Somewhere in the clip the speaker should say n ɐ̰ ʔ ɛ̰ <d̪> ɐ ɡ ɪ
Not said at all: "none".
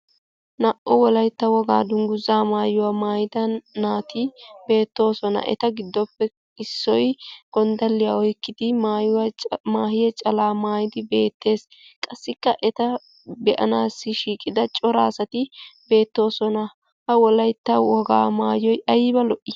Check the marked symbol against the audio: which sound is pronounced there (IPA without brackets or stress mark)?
t̪